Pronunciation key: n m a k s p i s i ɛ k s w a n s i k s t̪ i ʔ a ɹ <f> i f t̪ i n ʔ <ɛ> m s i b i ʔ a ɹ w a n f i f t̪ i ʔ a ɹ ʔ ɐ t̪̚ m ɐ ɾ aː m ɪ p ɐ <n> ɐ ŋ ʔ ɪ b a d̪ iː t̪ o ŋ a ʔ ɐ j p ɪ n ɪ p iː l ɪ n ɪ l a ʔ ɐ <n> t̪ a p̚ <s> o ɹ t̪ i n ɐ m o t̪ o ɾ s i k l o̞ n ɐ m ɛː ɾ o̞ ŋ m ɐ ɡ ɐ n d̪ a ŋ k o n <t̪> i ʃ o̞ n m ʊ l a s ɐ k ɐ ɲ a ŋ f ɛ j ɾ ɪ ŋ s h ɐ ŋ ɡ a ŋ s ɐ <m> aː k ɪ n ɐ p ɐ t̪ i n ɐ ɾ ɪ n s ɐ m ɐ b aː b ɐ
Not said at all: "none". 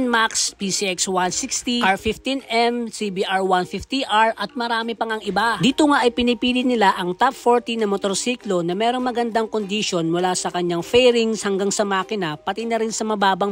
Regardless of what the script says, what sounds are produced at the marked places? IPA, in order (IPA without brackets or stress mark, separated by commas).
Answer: f, ɛ, ŋ, ŋ, f, d̪, m